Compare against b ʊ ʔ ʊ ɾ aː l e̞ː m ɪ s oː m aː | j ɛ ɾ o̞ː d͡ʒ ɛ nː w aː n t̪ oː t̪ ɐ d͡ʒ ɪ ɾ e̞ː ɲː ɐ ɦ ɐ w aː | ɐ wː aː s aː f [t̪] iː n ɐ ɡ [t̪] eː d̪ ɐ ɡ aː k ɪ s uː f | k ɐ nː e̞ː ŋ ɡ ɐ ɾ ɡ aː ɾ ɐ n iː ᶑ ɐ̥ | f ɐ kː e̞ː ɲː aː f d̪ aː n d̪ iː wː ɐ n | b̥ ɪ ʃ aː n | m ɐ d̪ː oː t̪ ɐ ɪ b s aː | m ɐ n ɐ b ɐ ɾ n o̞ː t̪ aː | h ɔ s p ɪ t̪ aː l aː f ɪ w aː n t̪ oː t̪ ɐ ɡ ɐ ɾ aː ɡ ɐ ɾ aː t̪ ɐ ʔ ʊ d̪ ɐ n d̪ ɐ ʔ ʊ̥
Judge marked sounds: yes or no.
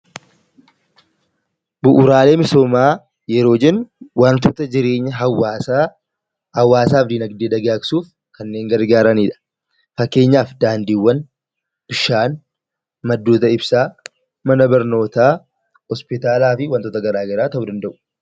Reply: no, no

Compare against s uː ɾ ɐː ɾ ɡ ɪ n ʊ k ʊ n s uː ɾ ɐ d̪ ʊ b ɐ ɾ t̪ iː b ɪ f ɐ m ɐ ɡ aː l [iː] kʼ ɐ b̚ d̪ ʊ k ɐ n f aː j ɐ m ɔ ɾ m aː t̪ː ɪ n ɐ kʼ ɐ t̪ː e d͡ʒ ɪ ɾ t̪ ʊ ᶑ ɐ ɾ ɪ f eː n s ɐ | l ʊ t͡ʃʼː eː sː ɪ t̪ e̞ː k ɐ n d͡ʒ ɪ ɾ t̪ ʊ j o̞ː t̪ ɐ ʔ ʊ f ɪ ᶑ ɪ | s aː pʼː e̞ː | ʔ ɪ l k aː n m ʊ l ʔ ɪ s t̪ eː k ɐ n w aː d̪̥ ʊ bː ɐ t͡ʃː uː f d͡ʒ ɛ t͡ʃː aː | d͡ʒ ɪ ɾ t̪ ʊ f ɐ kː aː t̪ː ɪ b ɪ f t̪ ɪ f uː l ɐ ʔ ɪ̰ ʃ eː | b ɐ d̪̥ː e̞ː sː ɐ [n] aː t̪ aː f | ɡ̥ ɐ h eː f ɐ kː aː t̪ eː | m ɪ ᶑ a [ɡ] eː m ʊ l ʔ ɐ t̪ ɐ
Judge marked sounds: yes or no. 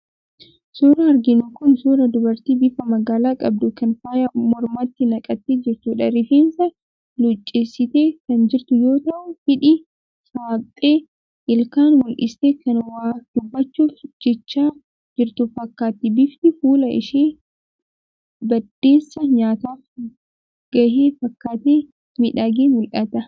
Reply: no, no, yes

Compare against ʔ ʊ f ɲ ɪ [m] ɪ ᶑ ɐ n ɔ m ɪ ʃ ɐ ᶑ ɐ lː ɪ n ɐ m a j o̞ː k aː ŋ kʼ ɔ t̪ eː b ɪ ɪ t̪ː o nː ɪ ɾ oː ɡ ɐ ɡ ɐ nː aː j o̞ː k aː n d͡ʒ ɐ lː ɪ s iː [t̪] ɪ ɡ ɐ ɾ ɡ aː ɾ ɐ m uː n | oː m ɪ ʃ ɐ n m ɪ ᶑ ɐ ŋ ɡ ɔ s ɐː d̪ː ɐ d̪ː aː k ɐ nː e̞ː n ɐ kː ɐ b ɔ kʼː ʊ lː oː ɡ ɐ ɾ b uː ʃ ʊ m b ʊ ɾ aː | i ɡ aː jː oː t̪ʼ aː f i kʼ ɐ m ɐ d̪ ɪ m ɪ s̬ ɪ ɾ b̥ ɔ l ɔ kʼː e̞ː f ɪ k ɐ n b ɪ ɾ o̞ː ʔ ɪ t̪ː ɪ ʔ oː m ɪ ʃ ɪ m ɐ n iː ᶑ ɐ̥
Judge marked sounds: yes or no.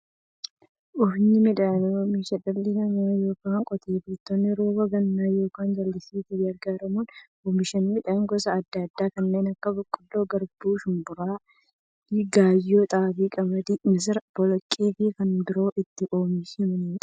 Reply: yes, yes

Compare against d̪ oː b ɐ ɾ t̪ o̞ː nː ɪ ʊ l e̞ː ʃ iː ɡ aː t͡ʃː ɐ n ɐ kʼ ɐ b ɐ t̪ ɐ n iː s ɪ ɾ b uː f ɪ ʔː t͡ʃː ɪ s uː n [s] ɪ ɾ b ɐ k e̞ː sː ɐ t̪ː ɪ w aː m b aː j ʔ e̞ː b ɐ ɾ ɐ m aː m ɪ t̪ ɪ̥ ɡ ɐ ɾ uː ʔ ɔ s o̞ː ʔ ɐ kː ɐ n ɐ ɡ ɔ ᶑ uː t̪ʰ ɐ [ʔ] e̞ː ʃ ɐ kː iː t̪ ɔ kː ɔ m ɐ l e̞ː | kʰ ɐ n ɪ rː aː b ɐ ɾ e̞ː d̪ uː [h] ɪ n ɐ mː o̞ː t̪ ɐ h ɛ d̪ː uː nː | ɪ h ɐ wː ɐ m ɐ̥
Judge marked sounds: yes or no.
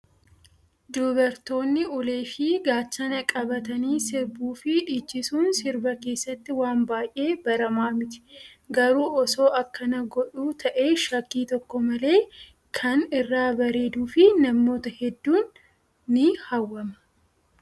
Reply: yes, yes, no

